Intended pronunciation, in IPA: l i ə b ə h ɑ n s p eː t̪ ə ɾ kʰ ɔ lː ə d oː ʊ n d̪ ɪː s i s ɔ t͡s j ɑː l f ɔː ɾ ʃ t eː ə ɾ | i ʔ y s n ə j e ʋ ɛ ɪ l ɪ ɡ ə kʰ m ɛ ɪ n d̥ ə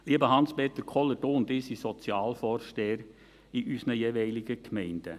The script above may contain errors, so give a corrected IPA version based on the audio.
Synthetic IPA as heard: l i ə b ə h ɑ n s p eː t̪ ə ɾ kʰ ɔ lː ə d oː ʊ n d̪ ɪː s i s ɔ t͡s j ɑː l f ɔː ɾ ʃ t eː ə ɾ | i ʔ y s n ə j e ʋ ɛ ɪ l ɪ ɡ ə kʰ m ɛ ɪ n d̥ ə